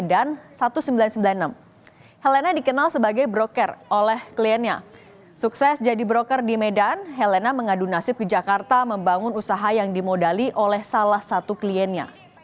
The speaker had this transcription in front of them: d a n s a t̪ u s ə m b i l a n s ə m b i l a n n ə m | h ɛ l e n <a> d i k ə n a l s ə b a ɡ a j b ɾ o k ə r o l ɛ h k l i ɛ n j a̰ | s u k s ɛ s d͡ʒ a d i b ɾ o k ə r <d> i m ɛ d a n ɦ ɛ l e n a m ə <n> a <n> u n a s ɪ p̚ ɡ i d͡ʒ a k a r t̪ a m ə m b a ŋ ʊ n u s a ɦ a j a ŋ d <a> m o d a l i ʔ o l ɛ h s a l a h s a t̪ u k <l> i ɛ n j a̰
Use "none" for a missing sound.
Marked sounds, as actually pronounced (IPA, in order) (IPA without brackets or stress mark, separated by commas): a, d, ŋ, d, i, l